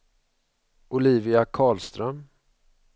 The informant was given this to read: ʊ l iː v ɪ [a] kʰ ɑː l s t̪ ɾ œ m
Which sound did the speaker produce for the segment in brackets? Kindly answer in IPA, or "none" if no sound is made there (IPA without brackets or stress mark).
a